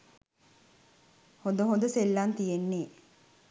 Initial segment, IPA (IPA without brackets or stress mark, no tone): h